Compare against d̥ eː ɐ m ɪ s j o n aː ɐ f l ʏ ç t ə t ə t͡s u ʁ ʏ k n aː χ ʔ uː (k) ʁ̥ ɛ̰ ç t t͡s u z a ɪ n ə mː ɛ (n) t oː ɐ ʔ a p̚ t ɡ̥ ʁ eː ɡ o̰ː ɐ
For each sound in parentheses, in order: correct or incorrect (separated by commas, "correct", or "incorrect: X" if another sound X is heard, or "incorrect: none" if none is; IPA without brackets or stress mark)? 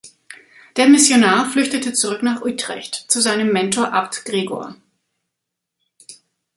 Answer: incorrect: t, correct